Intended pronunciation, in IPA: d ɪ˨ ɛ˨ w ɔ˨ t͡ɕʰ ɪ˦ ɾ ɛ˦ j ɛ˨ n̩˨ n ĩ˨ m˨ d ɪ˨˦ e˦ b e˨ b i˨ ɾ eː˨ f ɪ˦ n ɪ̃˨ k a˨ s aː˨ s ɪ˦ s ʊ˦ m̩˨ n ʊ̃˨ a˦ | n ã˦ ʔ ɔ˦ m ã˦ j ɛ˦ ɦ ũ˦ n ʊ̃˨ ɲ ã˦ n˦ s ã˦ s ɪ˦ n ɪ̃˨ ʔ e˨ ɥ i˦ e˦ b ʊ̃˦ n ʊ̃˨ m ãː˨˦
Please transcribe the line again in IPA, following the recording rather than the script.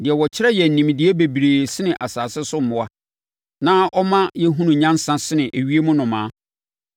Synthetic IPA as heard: d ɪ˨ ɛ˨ w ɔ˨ t͡ɕʰ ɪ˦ ɾ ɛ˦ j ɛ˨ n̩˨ n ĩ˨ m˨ d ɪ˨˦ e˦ b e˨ b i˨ ɾ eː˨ s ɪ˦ n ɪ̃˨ ʔ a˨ s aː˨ s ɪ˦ s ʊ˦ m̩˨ m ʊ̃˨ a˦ | n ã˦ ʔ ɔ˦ m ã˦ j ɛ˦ ɦ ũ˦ n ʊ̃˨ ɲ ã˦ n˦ s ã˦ s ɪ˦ n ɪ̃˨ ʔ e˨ ɥ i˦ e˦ m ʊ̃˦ n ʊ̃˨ m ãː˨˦

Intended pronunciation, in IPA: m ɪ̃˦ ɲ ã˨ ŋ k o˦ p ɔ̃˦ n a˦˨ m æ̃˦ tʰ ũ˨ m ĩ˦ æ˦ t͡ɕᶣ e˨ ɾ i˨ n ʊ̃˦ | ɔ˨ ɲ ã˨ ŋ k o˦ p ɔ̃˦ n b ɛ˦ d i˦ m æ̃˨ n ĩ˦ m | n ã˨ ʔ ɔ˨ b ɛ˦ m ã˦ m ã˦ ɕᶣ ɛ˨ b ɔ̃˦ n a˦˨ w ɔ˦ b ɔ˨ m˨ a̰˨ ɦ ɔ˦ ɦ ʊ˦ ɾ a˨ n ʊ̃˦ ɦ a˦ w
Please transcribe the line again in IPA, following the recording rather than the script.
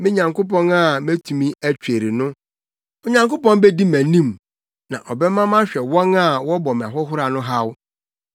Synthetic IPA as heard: m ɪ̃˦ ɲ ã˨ ŋ k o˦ p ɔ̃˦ n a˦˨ m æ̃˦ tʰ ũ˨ m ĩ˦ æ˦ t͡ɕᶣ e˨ ɾ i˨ n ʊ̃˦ | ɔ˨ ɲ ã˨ ŋ k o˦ p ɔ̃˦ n b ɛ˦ d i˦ m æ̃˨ n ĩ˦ m | n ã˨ ʔ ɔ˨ b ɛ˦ m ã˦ m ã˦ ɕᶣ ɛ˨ w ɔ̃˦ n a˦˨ w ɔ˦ b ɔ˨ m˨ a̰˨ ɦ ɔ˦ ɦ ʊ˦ ɾ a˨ n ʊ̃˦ ɦ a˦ w

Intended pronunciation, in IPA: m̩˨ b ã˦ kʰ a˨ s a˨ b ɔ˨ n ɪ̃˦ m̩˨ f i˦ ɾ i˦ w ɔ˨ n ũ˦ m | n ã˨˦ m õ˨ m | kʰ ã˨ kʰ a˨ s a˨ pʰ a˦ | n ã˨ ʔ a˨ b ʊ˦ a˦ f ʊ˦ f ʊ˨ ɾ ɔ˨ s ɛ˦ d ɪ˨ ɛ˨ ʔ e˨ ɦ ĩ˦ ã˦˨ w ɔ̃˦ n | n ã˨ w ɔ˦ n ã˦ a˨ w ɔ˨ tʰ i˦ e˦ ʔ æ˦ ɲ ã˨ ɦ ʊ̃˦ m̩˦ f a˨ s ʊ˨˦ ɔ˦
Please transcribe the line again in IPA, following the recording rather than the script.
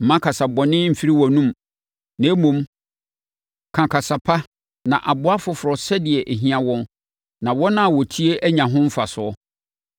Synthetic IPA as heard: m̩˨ m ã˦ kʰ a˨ s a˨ b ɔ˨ n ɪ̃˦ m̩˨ f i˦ ɾ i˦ w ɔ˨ n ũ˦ m | n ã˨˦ m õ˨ m | kʰ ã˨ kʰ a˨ s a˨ pʰ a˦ | n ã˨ ʔ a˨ b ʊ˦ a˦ f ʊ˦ f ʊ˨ ɾ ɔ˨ s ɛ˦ d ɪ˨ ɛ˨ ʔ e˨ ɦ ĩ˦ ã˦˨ w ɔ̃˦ n | n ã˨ w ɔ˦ n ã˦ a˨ w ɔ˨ tʰ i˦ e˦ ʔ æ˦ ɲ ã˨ ɦ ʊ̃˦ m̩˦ f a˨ s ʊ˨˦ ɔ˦

